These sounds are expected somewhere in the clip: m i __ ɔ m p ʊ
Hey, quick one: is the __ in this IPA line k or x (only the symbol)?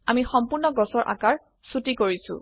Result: x